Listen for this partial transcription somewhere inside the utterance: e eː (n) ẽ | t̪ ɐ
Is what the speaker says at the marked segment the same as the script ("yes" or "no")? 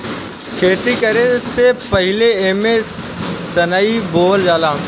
no